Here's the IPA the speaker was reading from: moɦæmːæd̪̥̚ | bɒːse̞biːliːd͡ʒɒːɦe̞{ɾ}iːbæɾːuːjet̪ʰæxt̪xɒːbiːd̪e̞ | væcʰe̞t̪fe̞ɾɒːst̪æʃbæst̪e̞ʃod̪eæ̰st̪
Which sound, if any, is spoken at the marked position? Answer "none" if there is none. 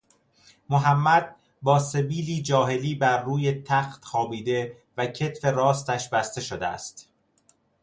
l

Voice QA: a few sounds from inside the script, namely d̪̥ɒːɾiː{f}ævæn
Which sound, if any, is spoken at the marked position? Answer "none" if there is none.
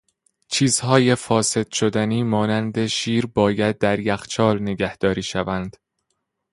ʃ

